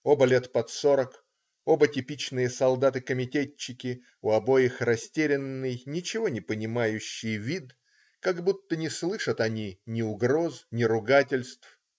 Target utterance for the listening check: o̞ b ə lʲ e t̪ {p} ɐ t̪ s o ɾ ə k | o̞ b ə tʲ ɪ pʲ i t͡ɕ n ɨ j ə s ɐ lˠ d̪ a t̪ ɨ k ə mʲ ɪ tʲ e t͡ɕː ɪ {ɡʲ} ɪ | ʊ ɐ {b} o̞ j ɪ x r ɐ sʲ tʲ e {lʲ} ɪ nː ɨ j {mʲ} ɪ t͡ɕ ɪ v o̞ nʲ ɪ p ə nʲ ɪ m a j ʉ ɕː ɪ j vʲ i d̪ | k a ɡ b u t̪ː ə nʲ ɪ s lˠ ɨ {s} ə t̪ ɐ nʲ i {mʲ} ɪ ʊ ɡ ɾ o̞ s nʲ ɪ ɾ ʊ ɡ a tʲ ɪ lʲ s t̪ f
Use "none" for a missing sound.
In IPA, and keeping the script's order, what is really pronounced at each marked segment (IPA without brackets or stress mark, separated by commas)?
p, kʲ, b, ɾʲ, nʲ, ʂ, nʲ